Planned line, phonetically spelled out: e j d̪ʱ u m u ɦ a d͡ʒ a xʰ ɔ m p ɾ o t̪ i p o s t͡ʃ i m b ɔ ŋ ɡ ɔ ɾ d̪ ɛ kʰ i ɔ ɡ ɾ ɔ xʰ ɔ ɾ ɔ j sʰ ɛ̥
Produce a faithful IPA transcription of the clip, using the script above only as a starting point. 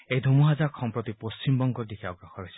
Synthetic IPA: e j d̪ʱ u m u ɦ a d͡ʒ a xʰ ɔ m p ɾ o t̪ i p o s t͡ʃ i m b ɔ ŋ ɡ ɔ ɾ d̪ i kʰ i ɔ ɡ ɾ ɔ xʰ ɔ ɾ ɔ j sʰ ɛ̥